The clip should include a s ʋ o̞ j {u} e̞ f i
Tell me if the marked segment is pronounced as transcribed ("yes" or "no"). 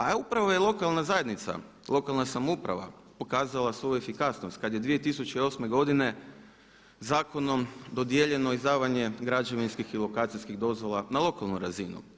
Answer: yes